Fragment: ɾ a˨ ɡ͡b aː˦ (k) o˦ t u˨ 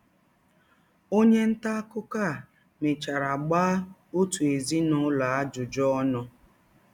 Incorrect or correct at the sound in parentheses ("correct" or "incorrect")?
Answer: incorrect